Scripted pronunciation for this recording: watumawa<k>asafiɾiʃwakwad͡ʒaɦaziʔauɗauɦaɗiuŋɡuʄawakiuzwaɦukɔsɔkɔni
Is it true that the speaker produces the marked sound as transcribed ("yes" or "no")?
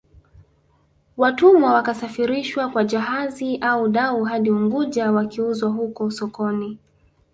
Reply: yes